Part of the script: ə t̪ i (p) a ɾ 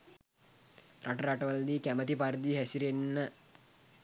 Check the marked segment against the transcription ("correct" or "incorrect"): correct